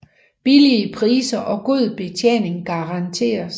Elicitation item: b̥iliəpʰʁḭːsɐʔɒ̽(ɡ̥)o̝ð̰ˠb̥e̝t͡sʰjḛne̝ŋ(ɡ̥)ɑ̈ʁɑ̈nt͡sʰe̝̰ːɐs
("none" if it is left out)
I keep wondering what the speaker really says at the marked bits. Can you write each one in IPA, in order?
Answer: ɡ̥, ɡ̥

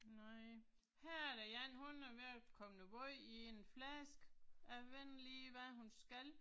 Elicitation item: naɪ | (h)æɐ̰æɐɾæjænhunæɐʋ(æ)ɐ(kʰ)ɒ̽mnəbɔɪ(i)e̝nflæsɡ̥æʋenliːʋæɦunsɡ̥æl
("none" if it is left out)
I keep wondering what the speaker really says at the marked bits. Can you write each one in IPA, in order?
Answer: h, e, kʰ, i

